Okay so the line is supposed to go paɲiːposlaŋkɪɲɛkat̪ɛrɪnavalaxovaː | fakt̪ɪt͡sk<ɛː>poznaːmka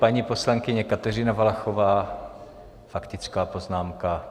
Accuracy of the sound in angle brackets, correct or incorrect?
incorrect